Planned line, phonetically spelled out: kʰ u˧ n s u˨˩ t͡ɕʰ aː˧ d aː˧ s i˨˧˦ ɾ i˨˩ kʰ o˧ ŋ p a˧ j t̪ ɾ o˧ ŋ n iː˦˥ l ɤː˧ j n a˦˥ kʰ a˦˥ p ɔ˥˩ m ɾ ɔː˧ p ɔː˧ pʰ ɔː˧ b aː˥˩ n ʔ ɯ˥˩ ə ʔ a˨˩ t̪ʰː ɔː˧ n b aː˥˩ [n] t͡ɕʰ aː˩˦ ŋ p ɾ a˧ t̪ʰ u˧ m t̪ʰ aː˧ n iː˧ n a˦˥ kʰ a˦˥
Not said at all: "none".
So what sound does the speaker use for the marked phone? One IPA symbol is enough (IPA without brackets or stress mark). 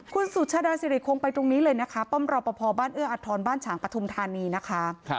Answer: n